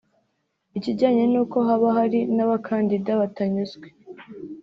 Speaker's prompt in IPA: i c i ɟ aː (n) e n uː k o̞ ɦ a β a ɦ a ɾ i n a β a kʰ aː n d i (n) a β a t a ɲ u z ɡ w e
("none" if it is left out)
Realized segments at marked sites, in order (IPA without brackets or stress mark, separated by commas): ɲ, d